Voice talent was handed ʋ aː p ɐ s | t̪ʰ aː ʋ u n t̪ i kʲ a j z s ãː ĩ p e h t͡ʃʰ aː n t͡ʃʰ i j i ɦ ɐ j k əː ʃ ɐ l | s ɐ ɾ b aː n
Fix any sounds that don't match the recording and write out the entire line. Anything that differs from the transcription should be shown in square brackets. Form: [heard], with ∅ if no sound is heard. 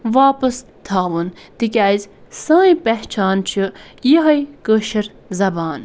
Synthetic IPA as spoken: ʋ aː p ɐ s | t̪ʰ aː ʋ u n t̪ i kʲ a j z s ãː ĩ p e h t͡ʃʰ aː n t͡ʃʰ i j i ɦ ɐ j k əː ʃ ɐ [ɾ] | [z] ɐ [∅] b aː n